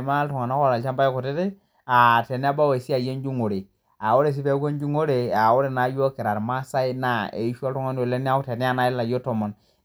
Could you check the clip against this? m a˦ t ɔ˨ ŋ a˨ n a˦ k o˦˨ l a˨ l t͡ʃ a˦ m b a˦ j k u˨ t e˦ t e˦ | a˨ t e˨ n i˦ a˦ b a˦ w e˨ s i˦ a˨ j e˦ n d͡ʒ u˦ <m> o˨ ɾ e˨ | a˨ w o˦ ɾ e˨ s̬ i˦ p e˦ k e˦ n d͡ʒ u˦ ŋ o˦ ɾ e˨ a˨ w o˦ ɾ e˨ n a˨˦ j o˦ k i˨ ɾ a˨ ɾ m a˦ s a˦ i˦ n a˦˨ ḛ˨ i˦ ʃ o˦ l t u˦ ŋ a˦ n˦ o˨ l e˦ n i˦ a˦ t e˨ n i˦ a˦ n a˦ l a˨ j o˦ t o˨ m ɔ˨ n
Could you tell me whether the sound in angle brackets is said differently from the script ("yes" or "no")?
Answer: yes